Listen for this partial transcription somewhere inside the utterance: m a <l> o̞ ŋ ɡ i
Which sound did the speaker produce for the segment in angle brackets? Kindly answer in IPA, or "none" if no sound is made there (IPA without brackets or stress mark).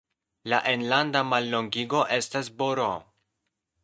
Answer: lː